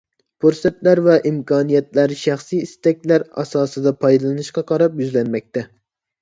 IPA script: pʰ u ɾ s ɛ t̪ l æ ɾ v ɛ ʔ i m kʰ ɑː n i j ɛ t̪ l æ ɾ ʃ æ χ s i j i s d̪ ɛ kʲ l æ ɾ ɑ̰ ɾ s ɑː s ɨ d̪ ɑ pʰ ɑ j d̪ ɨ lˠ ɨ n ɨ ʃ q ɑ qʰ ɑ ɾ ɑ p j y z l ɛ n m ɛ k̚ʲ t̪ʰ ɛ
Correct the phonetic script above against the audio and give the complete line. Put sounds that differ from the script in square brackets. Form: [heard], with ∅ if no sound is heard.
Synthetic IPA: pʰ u ɾ s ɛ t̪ l æ ɾ v ɛ ʔ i m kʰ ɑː n i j ɛ t̪ l æ ɾ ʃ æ χ s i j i s [t̪] ɛ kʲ l æ ɾ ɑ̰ [∅] s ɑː s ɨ d̪ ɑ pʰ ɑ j d̪ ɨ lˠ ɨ n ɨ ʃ q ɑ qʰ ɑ ɾ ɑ p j y z l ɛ n m ɛ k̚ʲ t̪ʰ ɛ